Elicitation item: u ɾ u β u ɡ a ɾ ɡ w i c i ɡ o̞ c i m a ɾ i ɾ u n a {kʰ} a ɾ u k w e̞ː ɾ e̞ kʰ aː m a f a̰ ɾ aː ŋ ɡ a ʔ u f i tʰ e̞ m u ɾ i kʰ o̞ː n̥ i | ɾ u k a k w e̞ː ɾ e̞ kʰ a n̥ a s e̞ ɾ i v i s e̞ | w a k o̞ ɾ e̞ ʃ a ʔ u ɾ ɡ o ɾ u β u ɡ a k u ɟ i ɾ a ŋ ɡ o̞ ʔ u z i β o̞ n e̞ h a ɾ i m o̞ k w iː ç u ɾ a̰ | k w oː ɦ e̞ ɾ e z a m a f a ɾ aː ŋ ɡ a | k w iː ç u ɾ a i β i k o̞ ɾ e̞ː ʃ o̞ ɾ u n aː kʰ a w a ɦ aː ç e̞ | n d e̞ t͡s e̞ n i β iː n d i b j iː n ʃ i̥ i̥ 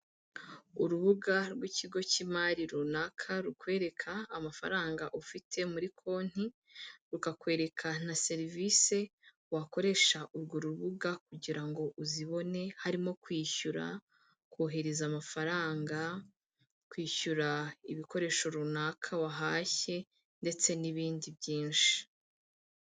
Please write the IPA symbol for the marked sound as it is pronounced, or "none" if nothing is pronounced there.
kʰ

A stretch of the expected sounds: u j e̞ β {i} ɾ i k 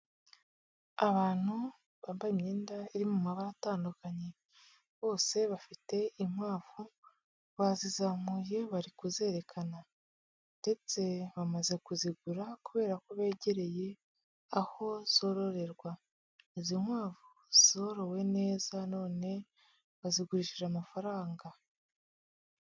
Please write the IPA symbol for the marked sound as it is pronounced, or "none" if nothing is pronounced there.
a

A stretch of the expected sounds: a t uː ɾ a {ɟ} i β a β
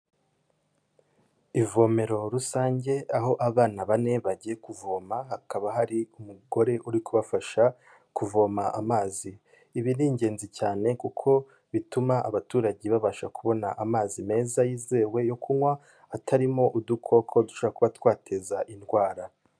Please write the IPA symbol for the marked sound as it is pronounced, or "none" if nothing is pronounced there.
ɟ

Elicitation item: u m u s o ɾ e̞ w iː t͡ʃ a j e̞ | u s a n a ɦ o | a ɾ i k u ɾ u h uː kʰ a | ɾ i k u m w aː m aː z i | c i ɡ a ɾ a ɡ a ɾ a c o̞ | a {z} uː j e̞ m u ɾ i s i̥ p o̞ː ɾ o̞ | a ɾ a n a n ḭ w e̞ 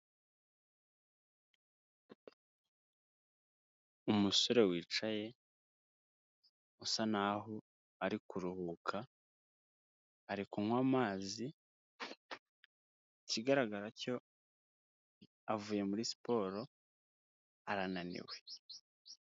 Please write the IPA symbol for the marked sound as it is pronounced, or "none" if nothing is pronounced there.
v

